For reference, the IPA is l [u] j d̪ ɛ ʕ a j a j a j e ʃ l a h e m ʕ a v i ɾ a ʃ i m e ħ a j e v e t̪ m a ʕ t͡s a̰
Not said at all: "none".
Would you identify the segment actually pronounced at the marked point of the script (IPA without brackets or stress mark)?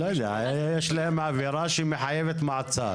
o